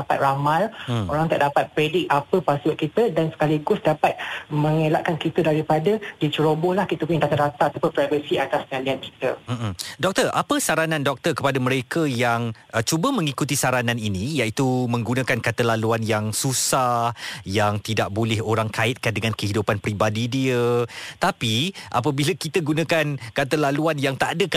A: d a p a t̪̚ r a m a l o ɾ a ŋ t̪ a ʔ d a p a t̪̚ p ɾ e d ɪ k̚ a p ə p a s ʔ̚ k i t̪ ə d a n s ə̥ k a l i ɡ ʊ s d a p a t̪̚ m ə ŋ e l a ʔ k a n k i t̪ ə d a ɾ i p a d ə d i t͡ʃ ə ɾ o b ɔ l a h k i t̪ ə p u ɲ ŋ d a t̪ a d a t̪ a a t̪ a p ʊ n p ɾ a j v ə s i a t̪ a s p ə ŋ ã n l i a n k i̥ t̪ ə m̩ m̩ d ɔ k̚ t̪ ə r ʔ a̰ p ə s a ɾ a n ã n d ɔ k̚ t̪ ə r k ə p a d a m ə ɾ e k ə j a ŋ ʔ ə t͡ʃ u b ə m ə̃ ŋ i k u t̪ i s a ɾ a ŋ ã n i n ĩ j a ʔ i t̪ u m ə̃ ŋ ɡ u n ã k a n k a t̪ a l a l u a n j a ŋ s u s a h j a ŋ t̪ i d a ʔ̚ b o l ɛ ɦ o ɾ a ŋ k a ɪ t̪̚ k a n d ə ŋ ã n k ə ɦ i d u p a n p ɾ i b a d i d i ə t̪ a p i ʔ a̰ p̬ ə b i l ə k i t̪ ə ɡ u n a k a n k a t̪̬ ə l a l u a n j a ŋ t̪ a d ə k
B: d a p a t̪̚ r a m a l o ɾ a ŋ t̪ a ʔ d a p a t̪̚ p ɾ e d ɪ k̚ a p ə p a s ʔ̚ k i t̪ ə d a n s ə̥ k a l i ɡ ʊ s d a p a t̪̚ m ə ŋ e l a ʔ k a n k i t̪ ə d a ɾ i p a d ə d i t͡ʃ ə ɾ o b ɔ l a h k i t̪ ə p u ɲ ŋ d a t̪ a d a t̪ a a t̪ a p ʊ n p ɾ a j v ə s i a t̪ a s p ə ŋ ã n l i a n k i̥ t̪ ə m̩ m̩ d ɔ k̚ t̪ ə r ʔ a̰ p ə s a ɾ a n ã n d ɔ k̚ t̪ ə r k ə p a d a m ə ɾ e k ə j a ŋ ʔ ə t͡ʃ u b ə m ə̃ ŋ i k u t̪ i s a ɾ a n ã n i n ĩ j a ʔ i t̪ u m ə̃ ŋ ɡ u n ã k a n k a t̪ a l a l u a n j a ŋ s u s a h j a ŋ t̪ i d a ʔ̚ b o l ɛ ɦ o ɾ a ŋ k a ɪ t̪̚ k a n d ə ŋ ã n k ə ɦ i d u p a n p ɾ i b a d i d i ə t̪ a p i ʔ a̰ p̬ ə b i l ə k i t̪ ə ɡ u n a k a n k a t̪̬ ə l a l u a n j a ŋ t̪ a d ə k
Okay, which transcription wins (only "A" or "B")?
B